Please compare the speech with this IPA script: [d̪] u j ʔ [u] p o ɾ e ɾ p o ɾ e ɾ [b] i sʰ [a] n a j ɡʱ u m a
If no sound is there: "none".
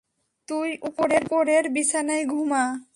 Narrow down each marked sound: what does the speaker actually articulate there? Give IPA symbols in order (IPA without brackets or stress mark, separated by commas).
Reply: t̪, u, b, a